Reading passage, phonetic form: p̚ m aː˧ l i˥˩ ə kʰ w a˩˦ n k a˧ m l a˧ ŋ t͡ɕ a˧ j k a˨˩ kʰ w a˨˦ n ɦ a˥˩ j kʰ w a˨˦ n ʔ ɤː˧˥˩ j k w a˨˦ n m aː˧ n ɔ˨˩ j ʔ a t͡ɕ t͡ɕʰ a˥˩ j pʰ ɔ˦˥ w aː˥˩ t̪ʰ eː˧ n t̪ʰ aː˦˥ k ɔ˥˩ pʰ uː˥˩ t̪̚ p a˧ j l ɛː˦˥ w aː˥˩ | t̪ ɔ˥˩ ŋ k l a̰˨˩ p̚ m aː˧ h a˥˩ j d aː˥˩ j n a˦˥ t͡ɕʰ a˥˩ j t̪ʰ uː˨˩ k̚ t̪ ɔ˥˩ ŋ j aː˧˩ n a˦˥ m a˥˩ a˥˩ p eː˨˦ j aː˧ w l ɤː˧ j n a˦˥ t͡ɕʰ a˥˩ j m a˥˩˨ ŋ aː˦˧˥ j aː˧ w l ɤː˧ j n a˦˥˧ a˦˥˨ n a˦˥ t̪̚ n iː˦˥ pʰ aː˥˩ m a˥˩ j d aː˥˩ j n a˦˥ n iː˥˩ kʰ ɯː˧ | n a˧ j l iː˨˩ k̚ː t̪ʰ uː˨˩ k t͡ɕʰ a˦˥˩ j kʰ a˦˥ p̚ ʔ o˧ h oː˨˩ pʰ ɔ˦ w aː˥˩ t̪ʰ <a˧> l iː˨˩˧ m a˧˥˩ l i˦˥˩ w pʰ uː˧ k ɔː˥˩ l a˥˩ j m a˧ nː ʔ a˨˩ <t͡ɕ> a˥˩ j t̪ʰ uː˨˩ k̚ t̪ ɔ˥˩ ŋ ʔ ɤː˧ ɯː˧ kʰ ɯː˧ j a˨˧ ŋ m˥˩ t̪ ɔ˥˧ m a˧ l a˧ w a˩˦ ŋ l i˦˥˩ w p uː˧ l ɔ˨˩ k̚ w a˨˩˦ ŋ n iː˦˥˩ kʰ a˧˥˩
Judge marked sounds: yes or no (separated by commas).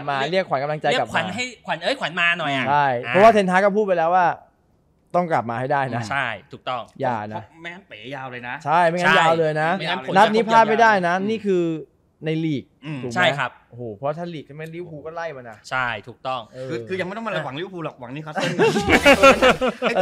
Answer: no, no